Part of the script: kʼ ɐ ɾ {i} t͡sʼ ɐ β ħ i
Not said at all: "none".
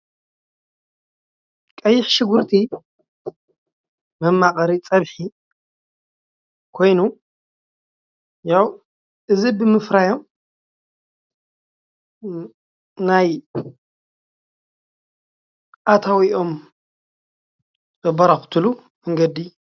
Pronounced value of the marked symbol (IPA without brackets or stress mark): i